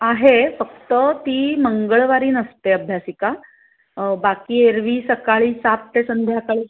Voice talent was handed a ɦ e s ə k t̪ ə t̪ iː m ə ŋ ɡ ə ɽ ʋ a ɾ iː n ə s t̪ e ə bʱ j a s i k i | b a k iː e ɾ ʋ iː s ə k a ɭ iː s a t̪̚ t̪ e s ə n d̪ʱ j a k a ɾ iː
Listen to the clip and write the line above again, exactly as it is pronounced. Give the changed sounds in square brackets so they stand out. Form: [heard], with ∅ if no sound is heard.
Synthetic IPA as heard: a ɦ e [f] ə k t̪ ə t̪ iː m ə ŋ ɡ ə [ɭ] ʋ a ɾ iː n ə s t̪ e ə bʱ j a s i k [a] | b a k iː e ɾ ʋ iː s ə k a ɭ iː s a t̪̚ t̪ e s ə n d̪ʱ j a k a [ɭ] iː

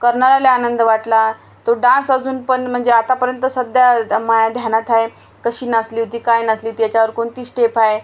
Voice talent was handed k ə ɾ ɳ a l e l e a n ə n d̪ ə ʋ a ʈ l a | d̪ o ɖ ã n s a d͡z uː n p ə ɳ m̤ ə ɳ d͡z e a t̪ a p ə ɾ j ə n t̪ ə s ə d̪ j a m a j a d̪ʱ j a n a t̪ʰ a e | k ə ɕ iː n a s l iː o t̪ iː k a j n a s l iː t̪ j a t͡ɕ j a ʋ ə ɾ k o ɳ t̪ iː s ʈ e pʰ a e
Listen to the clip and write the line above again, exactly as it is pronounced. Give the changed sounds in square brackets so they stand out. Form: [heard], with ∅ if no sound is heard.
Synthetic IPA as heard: k ə ɾ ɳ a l [a] l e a n ə n d̪ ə ʋ a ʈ l a | [t̪] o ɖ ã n s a d͡z uː n p ə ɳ m̤ ə ɳ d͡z e a t̪ a p ə ɾ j ə n t̪ ə s ə d̪ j a m a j a d̪ʱ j a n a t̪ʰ a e | k ə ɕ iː n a s l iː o t̪ iː k a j n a s l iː t̪ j a t͡ɕ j a ʋ ə ɾ k o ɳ t̪ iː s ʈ e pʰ a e

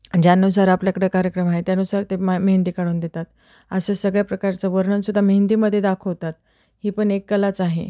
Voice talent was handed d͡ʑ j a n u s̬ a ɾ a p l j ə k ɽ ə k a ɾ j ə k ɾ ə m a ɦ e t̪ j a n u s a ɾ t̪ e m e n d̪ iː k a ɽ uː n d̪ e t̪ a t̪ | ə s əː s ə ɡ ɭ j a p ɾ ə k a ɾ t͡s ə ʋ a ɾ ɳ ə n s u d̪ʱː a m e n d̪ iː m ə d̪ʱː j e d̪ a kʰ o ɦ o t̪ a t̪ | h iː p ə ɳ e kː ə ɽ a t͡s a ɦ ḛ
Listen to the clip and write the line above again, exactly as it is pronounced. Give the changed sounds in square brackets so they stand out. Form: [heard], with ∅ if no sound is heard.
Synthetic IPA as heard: d͡ʑ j a n u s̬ a ɾ a p l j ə k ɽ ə k a ɾ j ə k ɾ ə m a ɦ e t̪ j a n u s a ɾ t̪ e m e n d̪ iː k a ɽ uː n d̪ e t̪ a t̪ | ə s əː s ə ɡ ɭ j a p ɾ ə k a ɾ t͡s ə ʋ [ə] ɾ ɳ ə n s u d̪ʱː a m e n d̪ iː m ə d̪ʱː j e d̪ a kʰ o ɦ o t̪ a t̪ | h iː p ə ɳ e kː ə [l] a t͡s a ɦ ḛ

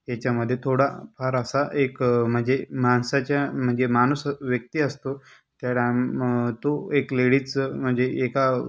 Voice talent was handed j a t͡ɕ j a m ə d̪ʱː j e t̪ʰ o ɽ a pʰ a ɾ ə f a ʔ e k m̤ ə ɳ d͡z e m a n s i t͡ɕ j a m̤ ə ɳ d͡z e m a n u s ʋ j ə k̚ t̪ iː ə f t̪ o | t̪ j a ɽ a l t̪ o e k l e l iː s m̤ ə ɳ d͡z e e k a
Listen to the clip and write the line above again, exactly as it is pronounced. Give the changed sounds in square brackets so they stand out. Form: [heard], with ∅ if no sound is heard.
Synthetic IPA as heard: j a t͡ɕ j a m ə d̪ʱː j e t̪ʰ o ɽ a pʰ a ɾ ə [s] a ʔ e k m̤ ə ɳ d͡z e m a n s [a] t͡ɕ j a m̤ ə ɳ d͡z e m a n u s ʋ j ə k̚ t̪ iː ə [s] t̪ o | t̪ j a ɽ a [∅] t̪ o e k l e [ɽ] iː [t͡s] m̤ ə ɳ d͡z e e k a

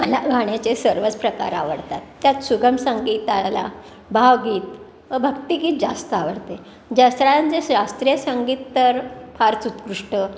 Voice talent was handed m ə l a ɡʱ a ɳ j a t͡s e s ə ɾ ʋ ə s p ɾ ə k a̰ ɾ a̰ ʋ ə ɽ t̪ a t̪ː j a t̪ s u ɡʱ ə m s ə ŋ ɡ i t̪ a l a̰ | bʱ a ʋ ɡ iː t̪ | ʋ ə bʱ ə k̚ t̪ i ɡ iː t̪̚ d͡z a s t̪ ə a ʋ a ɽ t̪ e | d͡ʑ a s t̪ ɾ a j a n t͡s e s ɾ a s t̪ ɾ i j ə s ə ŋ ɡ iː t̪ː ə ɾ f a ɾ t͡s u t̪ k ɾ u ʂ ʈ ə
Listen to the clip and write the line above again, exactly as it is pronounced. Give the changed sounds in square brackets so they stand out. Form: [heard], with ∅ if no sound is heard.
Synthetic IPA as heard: m ə l a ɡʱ a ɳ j a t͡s e s ə ɾ ʋ ə [t͡s] p ɾ ə k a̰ ɾ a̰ ʋ ə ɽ t̪ a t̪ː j a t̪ s u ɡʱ ə m s ə ŋ ɡ i t̪ a l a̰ | bʱ a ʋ ɡ iː t̪ | ʋ ə bʱ ə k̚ t̪ i ɡ iː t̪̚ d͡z a s t̪ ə a ʋ [ə] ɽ t̪ e | d͡ʑ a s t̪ ɾ a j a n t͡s e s ɾ a s t̪ ɾ i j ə s ə ŋ ɡ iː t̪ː ə ɾ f a ɾ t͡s u t̪ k ɾ u ʂ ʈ ə

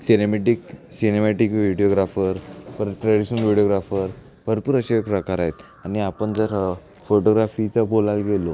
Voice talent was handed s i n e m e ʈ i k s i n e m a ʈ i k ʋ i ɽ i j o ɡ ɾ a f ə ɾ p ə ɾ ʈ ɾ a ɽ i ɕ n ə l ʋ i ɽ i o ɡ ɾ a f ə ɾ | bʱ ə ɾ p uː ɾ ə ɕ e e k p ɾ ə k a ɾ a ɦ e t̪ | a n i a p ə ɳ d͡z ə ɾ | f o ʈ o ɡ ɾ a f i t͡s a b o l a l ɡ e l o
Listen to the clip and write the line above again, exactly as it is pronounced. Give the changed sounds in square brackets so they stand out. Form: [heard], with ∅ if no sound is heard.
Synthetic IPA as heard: s i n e m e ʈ i k s i n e m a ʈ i k ʋ i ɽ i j o ɡ ɾ a f ə ɾ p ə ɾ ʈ ɾ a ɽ i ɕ n ə l ʋ i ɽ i o ɡ ɾ a f ə ɾ | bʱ ə ɾ p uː ɾ ə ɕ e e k p ɾ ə k a ɾ a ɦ e t̪ | a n i a p ə ɳ d͡z ə ɾ | f o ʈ o ɡ ɾ a f i t͡s a b o l a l ɡ e l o

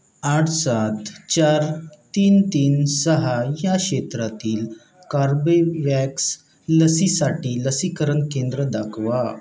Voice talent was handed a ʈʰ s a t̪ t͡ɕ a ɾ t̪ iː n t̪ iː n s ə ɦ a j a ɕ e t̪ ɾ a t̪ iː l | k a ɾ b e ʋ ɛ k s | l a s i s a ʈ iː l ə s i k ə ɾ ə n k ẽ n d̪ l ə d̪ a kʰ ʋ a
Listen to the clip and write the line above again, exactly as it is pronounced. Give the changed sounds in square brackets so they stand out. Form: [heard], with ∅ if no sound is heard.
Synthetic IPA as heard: a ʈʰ s a t̪ t͡ɕ a ɾ t̪ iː n t̪ iː n s ə ɦ a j a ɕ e t̪ ɾ a t̪ iː l | k a ɾ b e ʋ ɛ k s | l [ə] s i s a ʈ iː l ə s i k ə ɾ ə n k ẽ n d̪ [ɾ] ə d̪ a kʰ ʋ a

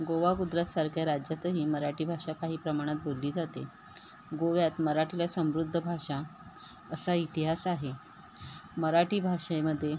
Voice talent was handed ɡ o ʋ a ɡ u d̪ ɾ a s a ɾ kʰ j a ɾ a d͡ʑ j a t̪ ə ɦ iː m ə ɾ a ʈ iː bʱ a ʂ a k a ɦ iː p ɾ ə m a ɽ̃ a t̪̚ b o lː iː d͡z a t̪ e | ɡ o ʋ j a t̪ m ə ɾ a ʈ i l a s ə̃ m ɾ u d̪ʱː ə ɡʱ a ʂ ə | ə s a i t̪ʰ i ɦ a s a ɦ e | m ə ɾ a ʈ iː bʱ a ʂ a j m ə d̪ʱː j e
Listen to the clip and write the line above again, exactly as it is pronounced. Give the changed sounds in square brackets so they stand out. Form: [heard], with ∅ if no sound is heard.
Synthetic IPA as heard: ɡ o ʋ a ɡ u d̪ ɾ a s a ɾ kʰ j a ɾ a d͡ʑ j a t̪ ə ɦ iː m ə ɾ a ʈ iː bʱ a ʂ a k a ɦ iː p ɾ ə m a ɽ̃ a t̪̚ b o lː iː d͡z a t̪ e | ɡ o ʋ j a t̪ m ə ɾ a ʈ i l a s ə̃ m ɾ u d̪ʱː ə [bʱ] a ʂ [a] | ə s a i [t̪] i ɦ a s a ɦ e | m ə ɾ a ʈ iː bʱ a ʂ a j m ə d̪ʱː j e

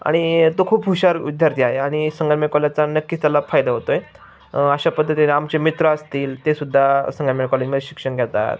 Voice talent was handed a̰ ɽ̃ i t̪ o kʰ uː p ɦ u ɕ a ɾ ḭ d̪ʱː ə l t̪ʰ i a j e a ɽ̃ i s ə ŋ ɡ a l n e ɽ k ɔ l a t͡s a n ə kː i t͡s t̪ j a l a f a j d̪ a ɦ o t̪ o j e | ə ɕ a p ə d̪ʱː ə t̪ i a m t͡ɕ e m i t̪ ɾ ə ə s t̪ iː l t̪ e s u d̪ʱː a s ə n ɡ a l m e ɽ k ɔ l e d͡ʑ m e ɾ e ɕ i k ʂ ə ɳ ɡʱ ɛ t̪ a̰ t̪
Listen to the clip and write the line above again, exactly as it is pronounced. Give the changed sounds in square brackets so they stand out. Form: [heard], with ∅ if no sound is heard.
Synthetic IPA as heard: a̰ ɽ̃ i t̪ o kʰ uː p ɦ u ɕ a ɾ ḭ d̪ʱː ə [ɾ] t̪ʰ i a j e a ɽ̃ i s ə ŋ ɡ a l [m] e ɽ k ɔ l a t͡s a n ə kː i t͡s t̪ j a l a f a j d̪ a ɦ o t̪ o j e | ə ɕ a p ə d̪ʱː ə t̪ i a m t͡ɕ e m i t̪ ɾ ə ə s t̪ iː l t̪ e s u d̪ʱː a s ə [ŋ] ɡ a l m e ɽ k ɔ l e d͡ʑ m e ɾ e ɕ i k ʂ ə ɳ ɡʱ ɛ t̪ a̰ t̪

